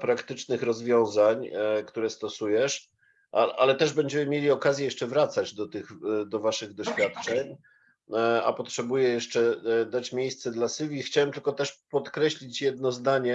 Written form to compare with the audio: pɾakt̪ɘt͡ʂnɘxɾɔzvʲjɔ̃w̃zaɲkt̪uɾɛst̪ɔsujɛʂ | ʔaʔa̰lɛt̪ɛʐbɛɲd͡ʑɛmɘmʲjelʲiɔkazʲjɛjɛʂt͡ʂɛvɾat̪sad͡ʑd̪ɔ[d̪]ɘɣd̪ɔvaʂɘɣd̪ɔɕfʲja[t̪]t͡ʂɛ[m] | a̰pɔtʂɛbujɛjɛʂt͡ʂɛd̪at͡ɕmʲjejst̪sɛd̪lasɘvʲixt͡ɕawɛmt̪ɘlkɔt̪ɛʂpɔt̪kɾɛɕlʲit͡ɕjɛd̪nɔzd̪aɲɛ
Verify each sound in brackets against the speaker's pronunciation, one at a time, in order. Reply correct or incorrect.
incorrect, correct, incorrect

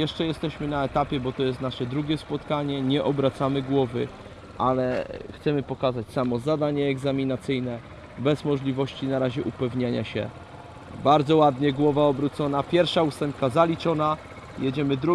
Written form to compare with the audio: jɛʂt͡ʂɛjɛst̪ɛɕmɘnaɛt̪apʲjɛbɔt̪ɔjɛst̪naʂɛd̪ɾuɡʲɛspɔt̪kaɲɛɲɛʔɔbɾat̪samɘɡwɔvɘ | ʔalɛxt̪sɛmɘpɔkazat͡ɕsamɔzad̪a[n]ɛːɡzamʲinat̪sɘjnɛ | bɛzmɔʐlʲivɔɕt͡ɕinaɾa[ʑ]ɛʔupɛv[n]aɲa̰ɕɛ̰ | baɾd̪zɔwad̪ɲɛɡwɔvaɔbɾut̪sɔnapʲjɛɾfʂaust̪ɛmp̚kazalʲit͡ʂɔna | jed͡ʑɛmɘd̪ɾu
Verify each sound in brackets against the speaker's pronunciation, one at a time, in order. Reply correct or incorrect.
incorrect, correct, incorrect

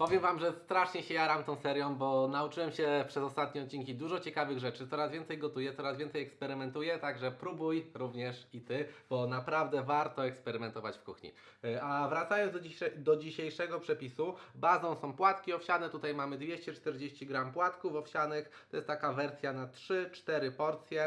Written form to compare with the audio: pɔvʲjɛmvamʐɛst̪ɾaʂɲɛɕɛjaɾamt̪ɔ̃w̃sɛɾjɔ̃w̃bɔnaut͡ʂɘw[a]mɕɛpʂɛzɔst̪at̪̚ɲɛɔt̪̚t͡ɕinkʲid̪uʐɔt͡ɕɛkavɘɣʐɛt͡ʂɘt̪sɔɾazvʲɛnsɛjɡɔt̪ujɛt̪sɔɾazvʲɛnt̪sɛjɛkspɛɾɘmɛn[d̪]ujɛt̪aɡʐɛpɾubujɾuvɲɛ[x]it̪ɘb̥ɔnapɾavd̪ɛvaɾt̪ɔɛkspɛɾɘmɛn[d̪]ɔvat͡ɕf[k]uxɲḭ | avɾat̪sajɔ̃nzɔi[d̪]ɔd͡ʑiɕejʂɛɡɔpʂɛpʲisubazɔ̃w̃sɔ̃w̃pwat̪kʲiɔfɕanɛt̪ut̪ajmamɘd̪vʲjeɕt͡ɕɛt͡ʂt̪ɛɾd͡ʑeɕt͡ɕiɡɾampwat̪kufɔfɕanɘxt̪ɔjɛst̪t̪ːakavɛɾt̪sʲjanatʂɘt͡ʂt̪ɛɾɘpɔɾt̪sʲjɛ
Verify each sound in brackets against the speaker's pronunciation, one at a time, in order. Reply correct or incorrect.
incorrect, incorrect, incorrect, incorrect, correct, correct

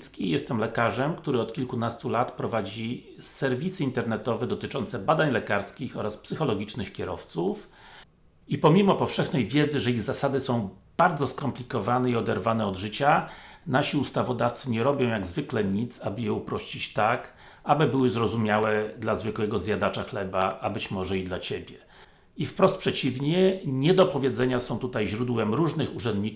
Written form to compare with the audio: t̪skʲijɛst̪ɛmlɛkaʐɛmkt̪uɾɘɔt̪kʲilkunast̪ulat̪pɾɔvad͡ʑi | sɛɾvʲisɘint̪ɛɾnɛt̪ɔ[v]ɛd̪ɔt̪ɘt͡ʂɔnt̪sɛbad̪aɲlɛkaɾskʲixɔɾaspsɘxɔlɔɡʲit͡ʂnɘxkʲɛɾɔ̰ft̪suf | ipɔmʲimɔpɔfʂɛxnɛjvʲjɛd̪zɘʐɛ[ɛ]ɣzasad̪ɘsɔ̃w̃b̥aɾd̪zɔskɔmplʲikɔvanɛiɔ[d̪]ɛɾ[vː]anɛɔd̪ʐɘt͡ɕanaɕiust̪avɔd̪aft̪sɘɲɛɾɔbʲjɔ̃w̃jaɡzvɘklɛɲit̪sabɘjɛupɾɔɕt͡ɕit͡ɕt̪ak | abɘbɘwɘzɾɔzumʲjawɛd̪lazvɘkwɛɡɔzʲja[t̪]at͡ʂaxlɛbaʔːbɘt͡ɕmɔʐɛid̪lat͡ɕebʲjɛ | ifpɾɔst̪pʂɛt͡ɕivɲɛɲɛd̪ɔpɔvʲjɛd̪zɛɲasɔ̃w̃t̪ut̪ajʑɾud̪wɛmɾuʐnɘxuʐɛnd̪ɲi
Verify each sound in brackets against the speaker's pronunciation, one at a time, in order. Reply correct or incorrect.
correct, incorrect, correct, incorrect, incorrect

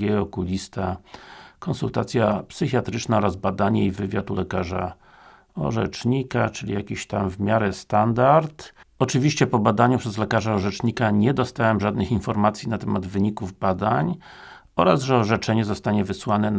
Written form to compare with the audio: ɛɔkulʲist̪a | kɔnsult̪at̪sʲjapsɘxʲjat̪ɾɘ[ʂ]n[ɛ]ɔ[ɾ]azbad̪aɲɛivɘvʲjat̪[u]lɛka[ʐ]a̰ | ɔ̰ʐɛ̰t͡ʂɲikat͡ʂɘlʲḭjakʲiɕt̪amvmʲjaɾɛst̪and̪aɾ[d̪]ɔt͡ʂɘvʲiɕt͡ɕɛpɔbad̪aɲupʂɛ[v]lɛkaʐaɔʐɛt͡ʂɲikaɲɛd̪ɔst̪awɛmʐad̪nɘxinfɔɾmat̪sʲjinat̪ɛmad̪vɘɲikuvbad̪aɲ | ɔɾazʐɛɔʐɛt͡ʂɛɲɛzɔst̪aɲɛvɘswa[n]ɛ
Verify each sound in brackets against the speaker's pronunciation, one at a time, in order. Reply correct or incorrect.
incorrect, incorrect, correct, correct, correct, incorrect, incorrect, correct

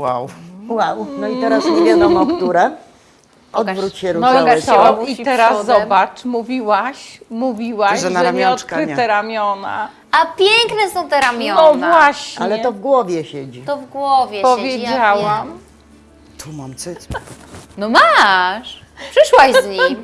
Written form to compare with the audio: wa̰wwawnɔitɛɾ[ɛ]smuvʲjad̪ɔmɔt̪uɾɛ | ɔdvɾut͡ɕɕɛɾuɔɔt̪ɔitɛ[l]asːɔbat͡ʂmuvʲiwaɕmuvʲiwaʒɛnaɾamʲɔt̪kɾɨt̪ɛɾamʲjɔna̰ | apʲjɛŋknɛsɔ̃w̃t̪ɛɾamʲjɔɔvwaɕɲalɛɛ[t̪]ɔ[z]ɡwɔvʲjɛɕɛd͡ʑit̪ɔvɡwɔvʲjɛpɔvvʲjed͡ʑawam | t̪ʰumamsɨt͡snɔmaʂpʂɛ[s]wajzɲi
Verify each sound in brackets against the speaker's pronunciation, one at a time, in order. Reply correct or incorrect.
incorrect, incorrect, correct, incorrect, incorrect

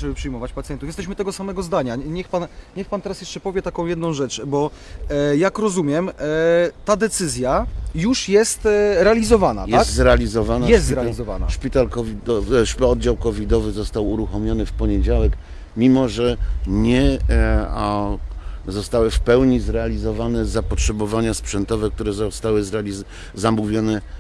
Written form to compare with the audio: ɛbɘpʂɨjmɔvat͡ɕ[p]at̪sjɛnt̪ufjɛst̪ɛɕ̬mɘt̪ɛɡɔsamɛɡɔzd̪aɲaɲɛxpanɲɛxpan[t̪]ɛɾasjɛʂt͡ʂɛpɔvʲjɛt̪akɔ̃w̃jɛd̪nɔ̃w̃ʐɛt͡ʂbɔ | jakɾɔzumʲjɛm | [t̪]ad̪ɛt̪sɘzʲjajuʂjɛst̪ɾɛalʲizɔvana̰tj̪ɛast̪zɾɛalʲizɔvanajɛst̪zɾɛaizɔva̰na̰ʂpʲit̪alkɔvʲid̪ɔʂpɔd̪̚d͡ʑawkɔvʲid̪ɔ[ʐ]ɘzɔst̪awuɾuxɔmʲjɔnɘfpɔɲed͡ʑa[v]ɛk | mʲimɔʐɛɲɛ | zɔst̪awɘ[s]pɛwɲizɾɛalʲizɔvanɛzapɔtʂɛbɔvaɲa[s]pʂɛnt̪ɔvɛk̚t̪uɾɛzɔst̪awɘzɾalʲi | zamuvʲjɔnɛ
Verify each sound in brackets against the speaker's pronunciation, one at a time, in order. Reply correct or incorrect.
correct, correct, correct, incorrect, incorrect, incorrect, correct

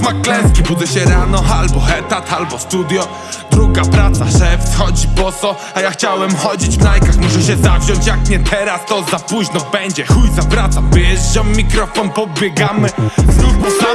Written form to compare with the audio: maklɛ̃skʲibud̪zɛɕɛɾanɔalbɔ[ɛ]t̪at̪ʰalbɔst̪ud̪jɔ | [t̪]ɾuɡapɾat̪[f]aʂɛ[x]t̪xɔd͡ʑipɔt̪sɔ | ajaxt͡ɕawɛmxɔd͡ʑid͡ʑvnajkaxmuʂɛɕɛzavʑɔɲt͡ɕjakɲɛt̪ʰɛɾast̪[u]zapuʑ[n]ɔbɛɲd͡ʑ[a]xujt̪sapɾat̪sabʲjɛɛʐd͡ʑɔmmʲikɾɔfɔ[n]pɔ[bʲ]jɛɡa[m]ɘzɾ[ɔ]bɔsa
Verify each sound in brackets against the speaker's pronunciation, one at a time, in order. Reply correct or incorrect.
correct, incorrect, incorrect, incorrect, incorrect, correct, incorrect, correct, correct, correct, incorrect

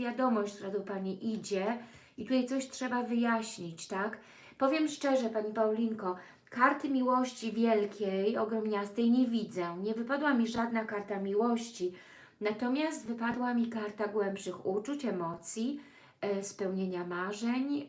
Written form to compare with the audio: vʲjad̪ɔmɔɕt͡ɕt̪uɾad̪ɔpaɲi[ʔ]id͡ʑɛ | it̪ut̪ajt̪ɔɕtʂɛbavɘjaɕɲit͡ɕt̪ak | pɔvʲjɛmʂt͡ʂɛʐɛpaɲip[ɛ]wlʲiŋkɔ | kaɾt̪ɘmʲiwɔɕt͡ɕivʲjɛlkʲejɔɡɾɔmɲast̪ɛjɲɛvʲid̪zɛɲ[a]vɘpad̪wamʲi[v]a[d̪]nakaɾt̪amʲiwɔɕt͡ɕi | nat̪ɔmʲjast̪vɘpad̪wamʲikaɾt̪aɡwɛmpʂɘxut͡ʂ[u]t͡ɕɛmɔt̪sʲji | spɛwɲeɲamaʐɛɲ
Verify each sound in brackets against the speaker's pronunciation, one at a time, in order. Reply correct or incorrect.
correct, incorrect, incorrect, incorrect, correct, correct

